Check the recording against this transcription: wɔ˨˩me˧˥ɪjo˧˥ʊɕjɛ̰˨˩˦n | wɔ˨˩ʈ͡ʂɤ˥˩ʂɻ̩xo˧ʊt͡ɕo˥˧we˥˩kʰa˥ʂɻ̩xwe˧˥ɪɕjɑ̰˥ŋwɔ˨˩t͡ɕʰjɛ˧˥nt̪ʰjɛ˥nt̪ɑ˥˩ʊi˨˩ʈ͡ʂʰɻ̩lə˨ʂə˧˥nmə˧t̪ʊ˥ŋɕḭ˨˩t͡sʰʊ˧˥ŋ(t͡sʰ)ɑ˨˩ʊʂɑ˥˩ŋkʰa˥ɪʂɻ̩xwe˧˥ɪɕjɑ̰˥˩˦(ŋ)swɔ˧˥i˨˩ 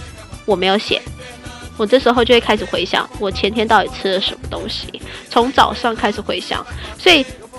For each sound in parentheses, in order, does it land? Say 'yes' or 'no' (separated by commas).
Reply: no, yes